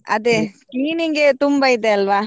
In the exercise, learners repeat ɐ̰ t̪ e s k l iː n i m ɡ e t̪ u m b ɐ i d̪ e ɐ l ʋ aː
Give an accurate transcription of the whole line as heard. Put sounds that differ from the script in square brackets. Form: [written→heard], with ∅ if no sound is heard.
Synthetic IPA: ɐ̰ [t̪→d̪] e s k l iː n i [m→ŋ] ɡ e t̪ u m b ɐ i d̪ e ɐ l ʋ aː